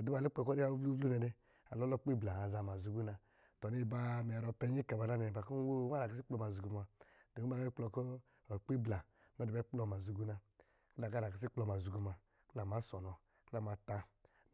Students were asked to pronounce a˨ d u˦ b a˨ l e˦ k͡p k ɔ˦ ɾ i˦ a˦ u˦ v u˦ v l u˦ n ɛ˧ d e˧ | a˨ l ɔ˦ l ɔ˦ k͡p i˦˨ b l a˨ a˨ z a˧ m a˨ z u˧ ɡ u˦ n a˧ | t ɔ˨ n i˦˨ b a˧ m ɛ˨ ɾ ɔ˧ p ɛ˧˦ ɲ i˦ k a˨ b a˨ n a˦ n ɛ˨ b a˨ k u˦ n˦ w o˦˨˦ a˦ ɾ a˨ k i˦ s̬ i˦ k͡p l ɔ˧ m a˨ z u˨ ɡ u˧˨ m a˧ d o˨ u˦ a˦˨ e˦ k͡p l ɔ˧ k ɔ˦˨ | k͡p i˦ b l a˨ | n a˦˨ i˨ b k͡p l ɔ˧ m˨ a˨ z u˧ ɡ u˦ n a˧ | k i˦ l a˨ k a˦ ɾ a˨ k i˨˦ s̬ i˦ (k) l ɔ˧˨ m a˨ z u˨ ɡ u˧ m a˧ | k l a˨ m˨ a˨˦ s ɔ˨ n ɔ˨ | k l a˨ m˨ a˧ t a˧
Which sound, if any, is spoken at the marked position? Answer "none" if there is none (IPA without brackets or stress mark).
k͡p